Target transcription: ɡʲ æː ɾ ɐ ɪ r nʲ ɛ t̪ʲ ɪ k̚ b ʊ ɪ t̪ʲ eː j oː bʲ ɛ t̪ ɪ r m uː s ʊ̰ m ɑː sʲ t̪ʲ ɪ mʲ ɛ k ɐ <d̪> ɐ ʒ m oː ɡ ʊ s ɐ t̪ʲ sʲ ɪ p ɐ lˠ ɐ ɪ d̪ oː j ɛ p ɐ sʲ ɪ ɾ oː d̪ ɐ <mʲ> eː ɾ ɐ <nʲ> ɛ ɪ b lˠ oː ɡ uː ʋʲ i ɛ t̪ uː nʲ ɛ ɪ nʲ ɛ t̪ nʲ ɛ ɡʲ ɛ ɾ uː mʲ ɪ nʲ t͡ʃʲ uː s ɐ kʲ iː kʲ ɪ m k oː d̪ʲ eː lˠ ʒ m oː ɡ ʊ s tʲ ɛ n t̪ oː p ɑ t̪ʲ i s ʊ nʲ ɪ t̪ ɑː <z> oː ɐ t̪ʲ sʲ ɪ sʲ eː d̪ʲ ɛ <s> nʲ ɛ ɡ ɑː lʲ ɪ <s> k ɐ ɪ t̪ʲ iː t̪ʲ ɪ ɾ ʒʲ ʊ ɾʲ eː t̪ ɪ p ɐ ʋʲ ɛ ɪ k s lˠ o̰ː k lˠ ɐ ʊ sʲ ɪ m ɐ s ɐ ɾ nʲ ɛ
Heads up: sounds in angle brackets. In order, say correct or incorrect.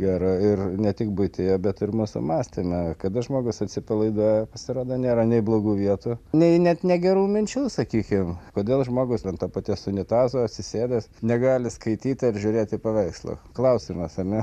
correct, incorrect: nʲ, correct, correct, correct, correct

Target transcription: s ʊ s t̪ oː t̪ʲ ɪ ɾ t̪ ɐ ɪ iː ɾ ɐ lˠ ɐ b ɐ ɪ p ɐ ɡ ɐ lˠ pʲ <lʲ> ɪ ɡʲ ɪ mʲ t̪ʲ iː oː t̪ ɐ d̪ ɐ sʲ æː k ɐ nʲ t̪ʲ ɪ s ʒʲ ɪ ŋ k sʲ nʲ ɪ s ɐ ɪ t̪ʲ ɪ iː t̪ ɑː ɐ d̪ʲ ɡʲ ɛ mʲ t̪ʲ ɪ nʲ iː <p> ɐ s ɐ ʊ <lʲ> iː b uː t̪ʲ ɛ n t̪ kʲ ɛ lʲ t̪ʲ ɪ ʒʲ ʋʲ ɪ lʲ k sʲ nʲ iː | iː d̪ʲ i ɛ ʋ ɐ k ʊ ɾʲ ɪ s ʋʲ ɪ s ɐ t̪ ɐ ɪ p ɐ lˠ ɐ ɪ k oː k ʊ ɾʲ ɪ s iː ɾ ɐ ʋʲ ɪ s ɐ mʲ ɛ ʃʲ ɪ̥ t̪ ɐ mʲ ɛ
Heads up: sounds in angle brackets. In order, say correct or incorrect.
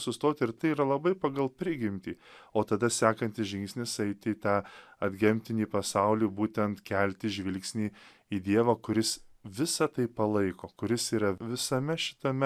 incorrect: ɾʲ, correct, correct

